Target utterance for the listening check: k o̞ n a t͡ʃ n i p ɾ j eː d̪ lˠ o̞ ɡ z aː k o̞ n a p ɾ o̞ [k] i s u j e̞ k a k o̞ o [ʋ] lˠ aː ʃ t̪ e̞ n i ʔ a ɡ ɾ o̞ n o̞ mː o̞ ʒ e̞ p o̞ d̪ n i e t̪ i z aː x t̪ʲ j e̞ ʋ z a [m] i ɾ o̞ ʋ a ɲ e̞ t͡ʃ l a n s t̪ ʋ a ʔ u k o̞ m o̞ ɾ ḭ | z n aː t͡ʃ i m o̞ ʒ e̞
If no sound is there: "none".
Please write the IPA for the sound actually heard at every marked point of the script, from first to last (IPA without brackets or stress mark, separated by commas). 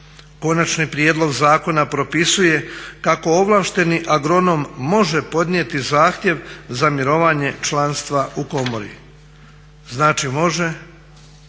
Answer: p, ʋ, m